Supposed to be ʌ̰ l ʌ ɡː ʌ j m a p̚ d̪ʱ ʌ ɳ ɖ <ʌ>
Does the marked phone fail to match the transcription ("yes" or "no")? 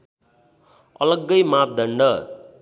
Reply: no